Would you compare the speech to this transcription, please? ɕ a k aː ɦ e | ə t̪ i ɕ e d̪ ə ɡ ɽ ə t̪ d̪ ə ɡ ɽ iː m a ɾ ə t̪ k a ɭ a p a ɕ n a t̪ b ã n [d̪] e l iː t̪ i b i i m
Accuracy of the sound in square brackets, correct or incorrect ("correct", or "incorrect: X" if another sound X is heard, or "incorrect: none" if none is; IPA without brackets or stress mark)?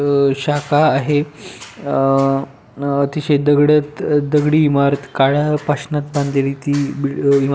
correct